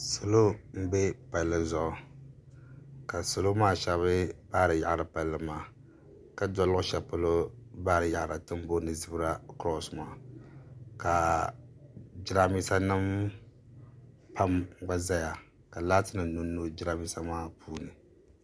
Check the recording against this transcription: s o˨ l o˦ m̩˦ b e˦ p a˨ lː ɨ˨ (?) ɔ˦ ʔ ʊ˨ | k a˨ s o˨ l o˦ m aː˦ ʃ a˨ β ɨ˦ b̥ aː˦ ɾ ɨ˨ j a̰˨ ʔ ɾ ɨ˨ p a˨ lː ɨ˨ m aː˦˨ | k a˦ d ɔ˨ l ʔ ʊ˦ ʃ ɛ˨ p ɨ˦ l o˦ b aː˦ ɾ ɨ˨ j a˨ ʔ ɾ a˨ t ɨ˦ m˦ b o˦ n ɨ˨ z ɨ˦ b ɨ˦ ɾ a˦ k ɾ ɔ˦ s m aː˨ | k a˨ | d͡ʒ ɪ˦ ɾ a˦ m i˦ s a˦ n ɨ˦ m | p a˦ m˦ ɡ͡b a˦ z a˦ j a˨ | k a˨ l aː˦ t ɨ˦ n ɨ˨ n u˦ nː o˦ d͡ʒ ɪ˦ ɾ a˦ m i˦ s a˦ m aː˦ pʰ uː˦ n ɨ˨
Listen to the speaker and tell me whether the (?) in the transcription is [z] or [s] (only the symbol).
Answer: z